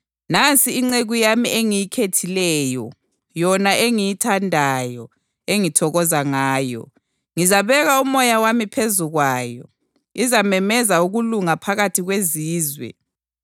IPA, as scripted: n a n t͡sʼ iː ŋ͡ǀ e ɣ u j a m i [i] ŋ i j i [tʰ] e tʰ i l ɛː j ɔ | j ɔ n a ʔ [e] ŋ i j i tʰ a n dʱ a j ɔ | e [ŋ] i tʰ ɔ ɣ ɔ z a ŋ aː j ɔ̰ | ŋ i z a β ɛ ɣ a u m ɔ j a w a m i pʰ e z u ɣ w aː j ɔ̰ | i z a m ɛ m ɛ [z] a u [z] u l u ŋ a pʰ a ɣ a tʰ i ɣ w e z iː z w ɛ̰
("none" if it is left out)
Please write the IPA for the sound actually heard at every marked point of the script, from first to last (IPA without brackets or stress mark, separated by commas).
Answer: e, kʰ, e, ŋ, z, ɣ